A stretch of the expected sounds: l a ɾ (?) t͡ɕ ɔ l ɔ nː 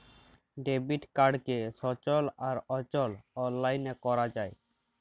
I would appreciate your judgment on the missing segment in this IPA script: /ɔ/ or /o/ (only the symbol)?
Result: ɔ